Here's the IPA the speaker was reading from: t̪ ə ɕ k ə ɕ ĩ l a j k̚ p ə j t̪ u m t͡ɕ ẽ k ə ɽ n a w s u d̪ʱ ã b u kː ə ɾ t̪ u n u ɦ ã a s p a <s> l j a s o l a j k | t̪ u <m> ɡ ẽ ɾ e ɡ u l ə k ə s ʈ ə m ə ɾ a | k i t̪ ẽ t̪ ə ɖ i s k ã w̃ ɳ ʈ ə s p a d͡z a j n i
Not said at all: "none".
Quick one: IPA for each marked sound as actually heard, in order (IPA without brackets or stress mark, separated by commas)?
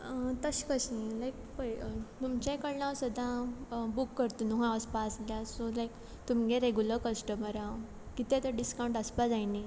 s, m